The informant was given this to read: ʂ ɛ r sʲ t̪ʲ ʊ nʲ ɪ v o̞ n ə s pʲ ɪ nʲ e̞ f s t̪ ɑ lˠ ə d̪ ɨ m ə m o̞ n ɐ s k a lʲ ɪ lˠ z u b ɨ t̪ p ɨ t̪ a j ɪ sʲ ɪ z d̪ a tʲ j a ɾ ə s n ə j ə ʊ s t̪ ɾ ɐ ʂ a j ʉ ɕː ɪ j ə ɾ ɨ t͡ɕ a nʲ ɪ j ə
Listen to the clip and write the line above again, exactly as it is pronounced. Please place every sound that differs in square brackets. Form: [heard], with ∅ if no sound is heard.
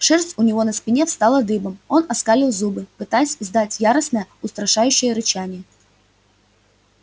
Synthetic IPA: ʂ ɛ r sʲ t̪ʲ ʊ nʲ ɪ v o̞ n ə s pʲ ɪ nʲ e̞ f s t̪ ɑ lˠ ə d̪ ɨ [b] ə m o̞ n ɐ s k a lʲ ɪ lˠ z u b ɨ [∅] p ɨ t̪ a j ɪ sʲ ɪ z d̪ a tʲ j a ɾ ə s n ə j ə ʊ s t̪ ɾ ɐ ʂ a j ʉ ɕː ɪ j ə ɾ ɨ t͡ɕ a nʲ ɪ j ə